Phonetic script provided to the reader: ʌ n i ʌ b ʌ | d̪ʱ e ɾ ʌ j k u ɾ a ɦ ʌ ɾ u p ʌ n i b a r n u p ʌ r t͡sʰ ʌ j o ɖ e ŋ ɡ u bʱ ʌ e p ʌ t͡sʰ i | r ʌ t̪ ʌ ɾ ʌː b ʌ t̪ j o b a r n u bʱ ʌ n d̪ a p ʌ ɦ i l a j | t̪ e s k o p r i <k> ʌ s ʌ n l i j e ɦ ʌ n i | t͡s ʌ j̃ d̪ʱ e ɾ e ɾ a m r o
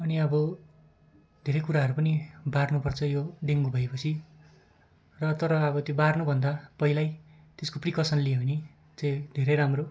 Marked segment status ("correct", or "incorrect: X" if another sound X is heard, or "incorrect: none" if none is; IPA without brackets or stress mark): correct